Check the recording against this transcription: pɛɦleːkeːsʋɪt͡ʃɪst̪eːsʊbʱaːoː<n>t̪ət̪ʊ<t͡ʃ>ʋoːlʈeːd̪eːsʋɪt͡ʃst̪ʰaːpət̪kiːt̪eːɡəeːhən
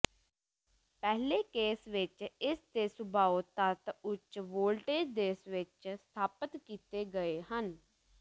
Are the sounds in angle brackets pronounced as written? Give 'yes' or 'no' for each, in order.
no, yes

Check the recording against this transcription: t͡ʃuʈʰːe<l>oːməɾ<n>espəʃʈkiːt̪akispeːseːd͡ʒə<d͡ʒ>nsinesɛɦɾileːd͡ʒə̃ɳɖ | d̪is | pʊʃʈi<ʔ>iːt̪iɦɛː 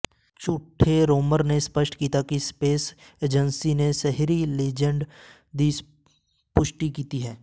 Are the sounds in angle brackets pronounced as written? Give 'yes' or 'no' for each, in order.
no, yes, no, no

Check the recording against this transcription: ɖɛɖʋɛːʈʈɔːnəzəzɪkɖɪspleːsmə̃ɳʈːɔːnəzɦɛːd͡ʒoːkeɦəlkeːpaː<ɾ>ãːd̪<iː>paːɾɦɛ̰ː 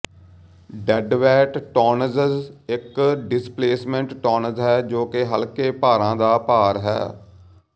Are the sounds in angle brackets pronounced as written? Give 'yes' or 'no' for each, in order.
yes, no

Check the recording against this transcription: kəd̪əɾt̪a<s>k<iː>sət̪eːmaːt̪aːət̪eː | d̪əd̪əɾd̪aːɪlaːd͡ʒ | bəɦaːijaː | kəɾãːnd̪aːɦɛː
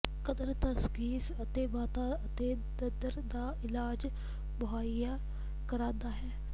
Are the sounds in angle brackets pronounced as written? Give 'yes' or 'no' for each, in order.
yes, yes

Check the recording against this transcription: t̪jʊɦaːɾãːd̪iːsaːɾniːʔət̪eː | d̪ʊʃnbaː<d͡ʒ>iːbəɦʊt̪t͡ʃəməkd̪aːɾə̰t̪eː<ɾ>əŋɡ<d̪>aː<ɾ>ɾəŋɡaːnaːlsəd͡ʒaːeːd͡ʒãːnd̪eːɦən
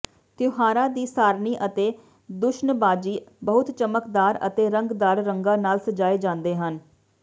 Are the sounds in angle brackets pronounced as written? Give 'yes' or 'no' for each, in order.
yes, yes, yes, yes

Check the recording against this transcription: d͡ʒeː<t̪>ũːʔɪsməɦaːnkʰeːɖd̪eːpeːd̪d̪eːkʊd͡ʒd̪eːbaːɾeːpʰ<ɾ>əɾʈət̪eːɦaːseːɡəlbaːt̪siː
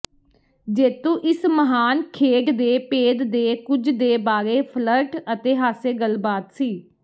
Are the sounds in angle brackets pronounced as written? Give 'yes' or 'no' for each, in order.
yes, no

